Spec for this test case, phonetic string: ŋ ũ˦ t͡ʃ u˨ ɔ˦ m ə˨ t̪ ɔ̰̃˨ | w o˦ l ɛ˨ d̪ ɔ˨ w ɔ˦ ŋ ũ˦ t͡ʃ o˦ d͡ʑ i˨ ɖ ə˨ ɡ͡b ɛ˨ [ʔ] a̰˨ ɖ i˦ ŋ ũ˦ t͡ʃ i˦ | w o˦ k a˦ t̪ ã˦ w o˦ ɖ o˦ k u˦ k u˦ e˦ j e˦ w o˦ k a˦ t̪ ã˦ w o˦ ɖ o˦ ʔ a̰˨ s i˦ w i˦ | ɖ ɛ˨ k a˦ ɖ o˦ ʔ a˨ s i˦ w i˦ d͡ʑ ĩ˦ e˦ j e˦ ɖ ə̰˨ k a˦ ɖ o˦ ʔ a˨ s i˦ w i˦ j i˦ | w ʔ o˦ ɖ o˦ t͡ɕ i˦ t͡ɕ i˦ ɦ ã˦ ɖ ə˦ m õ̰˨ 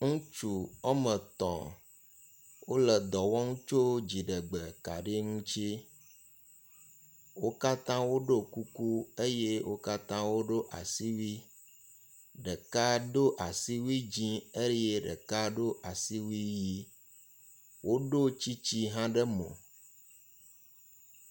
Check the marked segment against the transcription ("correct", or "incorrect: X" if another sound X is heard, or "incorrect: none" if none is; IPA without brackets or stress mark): incorrect: k